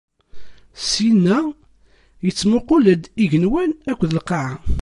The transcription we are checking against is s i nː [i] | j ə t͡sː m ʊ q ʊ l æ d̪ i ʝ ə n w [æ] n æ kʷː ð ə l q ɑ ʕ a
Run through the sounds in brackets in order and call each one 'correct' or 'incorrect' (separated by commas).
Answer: incorrect, correct